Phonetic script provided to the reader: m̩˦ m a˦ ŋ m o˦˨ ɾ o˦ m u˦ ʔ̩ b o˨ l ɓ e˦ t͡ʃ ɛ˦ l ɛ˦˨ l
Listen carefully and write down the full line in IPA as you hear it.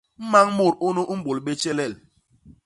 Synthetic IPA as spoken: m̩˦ m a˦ ŋ m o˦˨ ɾ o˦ n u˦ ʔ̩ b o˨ l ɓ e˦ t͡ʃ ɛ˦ l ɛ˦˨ l